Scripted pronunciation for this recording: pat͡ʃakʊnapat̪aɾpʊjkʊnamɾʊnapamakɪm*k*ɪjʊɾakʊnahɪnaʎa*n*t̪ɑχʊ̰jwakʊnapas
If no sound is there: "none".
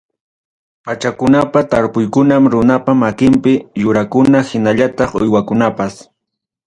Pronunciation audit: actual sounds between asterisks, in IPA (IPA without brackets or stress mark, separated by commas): p, none